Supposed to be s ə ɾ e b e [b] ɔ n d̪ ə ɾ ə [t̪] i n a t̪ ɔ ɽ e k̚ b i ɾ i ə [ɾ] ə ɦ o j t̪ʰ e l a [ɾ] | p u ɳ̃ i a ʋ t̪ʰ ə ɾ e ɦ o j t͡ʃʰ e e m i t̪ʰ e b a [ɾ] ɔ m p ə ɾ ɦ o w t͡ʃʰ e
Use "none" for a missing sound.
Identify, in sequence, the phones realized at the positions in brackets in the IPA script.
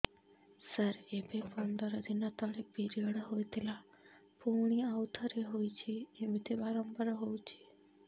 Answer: p, d̪, ɽ, none, ɾ

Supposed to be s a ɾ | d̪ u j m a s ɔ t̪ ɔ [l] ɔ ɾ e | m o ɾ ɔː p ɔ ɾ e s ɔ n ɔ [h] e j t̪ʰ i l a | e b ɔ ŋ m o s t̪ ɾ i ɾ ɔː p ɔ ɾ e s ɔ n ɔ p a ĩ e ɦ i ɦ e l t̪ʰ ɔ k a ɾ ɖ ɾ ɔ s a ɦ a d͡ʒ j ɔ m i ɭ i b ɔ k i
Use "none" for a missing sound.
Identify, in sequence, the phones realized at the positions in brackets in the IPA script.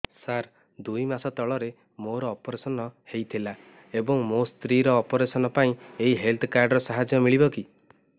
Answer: ɭ, h

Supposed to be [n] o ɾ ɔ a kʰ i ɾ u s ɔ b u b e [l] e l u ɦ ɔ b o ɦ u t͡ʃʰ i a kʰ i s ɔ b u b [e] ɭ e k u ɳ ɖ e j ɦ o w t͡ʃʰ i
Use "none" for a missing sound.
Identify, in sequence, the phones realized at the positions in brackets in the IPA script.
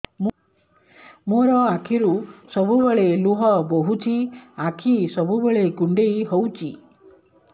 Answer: m, ɭ, e

